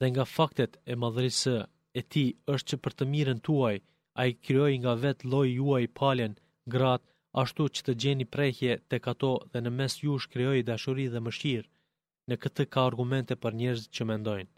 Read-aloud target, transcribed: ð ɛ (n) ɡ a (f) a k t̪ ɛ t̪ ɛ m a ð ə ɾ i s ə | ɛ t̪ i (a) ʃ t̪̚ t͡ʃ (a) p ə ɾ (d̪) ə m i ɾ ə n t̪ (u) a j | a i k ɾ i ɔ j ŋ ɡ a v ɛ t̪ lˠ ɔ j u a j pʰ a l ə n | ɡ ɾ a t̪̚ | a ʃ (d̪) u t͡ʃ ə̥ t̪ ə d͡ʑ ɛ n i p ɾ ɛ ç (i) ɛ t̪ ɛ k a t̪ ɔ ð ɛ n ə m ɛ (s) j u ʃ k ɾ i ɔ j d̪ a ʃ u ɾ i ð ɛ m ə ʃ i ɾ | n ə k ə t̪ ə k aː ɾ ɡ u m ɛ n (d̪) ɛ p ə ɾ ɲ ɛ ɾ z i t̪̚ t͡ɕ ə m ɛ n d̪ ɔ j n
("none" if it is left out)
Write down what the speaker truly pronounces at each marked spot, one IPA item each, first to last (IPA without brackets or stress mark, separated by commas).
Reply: ŋ, f, ə, ə, t̪, u, t̪, j, s, t̪